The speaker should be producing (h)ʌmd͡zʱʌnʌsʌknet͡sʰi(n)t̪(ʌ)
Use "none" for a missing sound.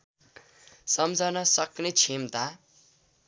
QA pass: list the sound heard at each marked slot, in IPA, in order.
s, m, a

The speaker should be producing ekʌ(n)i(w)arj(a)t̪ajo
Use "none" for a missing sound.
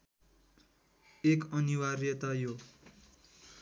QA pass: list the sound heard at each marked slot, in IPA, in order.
n, w, ʌ

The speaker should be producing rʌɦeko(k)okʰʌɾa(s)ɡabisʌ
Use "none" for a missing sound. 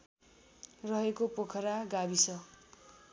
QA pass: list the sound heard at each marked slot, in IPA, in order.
p, none

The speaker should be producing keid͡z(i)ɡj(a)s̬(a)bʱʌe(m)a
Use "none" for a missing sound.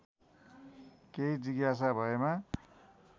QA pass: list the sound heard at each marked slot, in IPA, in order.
i, a, a, m

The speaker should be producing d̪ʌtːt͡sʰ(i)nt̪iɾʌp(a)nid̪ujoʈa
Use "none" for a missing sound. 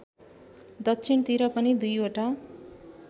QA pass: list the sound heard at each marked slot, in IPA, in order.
i, ʌ

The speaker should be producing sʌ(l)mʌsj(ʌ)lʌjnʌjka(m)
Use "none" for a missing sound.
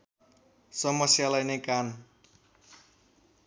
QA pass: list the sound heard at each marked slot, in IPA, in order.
none, a, n

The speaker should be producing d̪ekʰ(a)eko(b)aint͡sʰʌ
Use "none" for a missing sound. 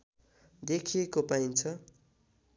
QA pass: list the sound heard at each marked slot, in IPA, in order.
i, p

